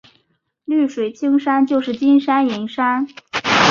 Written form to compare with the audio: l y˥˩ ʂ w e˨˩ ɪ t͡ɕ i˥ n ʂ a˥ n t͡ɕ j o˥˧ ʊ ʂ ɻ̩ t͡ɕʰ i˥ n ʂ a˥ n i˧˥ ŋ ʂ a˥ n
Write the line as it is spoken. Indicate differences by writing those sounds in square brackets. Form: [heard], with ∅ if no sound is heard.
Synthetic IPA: l y˥˩ ʂ w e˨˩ ɪ [t͡ɕʰ] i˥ [ŋ] ʂ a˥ n t͡ɕ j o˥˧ ʊ ʂ ɻ̩ [t͡ɕ] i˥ n ʂ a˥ n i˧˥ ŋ ʂ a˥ n

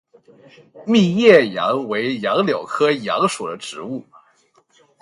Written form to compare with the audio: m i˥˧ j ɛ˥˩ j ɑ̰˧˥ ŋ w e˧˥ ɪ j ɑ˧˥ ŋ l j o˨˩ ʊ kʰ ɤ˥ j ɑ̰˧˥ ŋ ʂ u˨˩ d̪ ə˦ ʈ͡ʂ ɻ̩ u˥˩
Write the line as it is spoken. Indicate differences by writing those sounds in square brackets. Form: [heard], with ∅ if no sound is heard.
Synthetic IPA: m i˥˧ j ɛ˥˩ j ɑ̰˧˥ ŋ w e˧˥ ɪ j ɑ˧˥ ŋ l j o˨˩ ʊ kʰ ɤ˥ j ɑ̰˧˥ ŋ ʂ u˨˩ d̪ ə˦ ʈ͡ʂ ɻ̩ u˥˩

